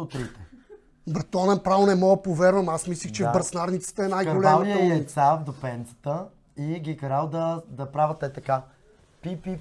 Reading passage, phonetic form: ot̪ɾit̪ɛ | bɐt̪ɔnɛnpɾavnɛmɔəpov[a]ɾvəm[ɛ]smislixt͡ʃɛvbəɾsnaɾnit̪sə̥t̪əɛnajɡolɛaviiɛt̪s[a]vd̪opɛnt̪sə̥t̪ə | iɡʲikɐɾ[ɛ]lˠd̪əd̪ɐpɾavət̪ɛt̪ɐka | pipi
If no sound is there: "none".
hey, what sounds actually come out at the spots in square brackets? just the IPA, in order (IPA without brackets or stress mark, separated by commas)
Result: ɛ, a, a, a